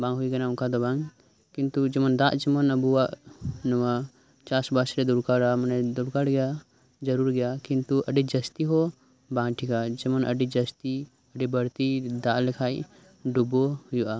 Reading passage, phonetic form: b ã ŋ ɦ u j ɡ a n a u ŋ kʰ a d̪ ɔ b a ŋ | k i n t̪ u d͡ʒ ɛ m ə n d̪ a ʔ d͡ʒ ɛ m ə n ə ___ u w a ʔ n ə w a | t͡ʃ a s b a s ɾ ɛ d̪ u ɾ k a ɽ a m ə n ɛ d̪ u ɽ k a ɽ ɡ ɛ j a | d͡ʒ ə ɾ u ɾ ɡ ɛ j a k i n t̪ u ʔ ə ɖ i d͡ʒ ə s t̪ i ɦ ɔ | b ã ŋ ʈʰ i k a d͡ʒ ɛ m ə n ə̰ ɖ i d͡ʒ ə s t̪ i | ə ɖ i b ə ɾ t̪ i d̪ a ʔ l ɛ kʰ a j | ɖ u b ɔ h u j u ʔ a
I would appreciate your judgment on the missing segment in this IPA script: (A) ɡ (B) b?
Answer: B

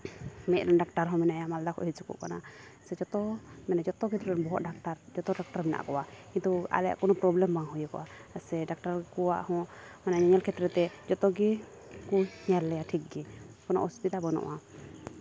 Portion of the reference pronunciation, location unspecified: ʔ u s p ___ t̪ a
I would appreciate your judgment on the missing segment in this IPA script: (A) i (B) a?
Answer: A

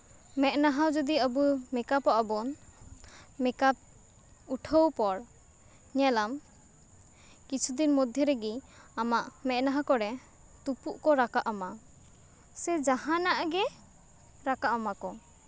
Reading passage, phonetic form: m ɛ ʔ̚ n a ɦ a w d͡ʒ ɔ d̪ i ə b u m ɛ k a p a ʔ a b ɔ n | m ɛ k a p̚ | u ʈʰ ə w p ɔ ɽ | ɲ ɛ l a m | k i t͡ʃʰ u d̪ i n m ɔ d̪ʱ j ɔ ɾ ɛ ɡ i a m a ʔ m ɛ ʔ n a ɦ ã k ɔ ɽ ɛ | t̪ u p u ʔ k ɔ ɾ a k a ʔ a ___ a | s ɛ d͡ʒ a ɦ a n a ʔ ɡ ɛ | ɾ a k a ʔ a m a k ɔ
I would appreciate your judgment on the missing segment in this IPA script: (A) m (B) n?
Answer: A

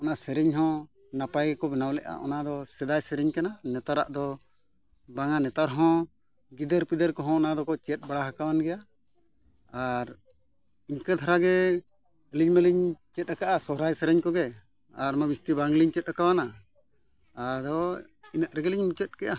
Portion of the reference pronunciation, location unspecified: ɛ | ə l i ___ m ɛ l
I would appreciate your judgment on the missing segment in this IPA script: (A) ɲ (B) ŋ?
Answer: A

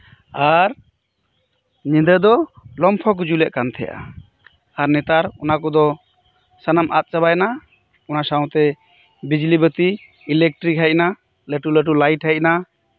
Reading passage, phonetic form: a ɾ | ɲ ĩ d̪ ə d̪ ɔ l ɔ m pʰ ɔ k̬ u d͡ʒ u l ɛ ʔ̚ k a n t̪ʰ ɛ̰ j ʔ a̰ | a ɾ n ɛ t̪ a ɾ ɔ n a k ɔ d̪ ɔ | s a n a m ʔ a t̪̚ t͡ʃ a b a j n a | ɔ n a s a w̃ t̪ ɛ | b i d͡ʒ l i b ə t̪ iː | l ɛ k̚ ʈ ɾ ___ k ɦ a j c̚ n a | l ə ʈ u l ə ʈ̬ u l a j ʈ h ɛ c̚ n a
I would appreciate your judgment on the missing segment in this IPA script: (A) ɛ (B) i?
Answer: B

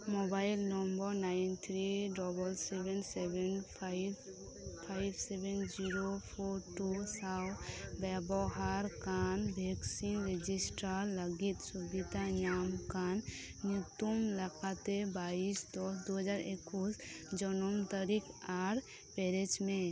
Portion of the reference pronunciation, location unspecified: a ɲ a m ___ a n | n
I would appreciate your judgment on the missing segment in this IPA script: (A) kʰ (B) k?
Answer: B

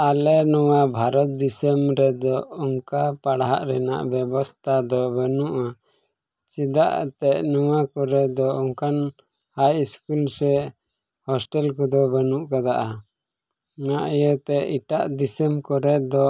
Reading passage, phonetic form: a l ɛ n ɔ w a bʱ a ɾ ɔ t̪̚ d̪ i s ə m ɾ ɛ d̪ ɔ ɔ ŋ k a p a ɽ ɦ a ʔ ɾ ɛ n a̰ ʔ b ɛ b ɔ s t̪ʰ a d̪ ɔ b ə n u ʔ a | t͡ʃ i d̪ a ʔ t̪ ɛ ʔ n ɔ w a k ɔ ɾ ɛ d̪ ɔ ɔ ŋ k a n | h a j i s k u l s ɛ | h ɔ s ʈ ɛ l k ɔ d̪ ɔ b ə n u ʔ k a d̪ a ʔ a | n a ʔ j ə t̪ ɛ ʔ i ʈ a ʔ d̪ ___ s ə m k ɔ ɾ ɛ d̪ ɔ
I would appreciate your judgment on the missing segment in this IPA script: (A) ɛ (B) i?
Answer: B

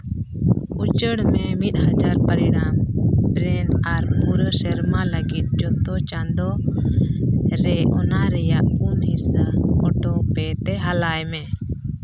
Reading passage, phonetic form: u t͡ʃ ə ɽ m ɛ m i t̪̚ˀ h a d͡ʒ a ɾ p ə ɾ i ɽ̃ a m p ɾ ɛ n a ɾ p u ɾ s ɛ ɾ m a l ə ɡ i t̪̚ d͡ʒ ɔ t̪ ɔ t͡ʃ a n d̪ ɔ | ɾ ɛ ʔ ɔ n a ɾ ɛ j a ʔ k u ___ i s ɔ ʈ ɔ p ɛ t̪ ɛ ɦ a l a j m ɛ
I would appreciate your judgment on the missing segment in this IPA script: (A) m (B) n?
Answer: A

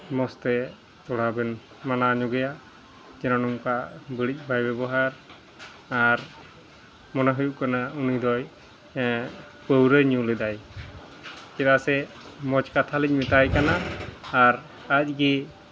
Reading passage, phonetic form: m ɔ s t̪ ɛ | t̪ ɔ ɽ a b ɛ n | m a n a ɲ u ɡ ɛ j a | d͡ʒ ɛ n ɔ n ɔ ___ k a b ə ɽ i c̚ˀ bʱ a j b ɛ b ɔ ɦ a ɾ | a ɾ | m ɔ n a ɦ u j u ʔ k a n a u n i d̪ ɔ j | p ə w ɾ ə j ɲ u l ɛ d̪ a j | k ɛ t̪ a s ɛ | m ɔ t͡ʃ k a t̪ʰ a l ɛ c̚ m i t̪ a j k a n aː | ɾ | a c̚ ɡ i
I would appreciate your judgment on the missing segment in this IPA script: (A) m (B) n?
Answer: A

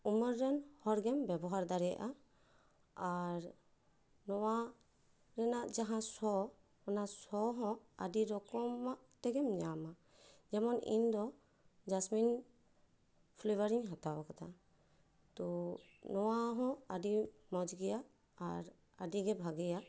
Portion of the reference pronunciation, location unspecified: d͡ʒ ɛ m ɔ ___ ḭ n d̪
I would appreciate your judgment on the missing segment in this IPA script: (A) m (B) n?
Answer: B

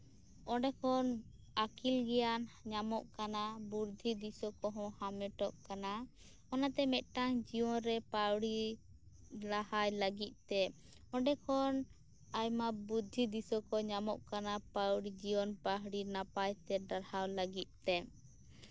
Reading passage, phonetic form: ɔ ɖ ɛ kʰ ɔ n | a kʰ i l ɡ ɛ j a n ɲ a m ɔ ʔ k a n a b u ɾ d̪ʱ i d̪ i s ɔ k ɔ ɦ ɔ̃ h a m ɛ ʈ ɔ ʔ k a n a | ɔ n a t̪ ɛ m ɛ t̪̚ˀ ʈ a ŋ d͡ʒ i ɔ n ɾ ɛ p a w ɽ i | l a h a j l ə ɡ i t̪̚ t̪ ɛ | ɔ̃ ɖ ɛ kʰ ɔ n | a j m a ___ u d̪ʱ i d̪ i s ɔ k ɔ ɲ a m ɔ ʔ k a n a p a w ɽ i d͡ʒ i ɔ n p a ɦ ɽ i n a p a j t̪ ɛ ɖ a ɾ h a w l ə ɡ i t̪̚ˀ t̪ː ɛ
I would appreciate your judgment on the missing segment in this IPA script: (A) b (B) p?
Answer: A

